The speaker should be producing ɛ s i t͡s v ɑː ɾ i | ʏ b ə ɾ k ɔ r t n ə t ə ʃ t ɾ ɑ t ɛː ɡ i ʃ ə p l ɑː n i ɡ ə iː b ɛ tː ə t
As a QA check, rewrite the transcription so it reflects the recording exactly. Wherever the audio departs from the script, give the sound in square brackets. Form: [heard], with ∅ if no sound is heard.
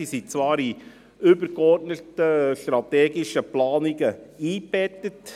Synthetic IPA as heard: [i] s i t͡s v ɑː ɾ i | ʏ b ə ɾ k ɔ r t n ə t ə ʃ t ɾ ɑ t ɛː ɡ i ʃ ə p l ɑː n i ɡ ə iː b ɛ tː ə t